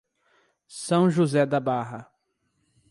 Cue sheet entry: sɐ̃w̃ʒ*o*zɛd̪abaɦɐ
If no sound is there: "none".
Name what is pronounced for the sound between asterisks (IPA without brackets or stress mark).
u